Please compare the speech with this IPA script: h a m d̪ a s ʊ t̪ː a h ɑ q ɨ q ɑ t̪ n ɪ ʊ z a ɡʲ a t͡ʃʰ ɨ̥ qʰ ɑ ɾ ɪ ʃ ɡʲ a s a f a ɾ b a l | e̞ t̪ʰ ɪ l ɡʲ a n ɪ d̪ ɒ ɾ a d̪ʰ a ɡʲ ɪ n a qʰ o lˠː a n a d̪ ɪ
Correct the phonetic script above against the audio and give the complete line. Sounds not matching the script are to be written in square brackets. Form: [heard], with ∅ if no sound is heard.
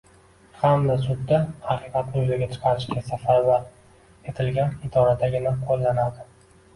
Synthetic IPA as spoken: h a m d̪ a s ʊ [d̪ː] a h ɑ q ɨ q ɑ t̪ n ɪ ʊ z a ɡʲ a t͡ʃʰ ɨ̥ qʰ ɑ ɾ ɪ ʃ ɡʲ a s a f a ɾ b a [ɾ] | e̞ t̪ʰ ɪ l ɡʲ a n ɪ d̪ ɒ ɾ a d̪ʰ a ɡʲ ɪ n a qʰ o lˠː a n a d̪ ɪ